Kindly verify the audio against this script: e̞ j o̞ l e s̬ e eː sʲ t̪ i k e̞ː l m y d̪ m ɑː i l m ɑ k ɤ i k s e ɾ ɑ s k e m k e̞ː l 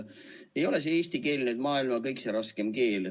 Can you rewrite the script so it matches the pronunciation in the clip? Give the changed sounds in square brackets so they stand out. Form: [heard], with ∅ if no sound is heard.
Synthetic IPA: e̞ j o̞ l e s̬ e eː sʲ t̪ i k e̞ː l [n] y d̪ m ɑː i l m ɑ k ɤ [j] k s e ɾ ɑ s k e m k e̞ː l